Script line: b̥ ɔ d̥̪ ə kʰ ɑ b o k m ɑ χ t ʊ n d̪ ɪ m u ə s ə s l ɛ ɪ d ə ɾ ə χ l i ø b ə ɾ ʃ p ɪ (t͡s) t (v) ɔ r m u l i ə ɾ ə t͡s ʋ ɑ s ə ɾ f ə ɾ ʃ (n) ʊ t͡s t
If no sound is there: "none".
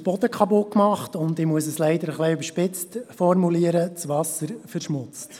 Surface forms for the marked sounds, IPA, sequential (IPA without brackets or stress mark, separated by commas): t͡s, f, m